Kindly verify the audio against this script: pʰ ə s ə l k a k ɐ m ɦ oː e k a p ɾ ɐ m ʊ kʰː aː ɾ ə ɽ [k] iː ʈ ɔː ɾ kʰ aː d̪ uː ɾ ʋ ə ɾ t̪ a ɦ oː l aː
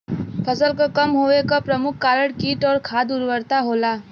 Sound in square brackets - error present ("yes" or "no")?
no